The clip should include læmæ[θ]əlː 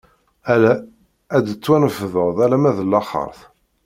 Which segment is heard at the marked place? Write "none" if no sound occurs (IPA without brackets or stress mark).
ð